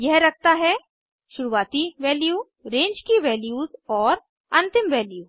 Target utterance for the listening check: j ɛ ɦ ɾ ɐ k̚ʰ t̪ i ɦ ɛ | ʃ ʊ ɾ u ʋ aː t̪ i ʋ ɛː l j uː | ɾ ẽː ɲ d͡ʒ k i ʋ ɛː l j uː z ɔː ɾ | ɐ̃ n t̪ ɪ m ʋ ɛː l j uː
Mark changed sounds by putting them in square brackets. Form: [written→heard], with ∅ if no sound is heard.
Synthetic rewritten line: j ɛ ɦ ɾ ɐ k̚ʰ t̪ [i→a] ɦ ɛ | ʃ ʊ ɾ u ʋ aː t̪ i ʋ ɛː l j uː | ɾ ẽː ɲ d͡ʒ k i ʋ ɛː l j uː z ɔː ɾ | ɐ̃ n t̪ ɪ m ʋ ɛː l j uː